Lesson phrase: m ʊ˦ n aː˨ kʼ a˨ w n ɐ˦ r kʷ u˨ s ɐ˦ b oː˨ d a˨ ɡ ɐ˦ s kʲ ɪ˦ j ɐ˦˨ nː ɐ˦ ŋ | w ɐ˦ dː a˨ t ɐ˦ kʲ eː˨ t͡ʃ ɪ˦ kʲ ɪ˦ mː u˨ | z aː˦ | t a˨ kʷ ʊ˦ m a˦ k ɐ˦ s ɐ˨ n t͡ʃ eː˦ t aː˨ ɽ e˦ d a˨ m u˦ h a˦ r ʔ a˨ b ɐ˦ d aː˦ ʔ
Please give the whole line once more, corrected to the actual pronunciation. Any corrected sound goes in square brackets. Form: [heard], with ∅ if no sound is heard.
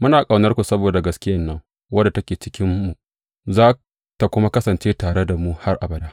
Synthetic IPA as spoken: m ʊ˦ n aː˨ kʼ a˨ w n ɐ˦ r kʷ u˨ s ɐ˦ b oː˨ d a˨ ɡ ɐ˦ s kʲ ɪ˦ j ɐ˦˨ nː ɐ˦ ŋ | w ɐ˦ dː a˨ t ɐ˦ kʲ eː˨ t͡ʃ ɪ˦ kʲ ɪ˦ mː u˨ | z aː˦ | t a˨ kʷ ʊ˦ m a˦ k ɐ˦ s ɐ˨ n t͡ʃ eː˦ t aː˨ ɽ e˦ d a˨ m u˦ h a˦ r ʔ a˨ b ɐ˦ d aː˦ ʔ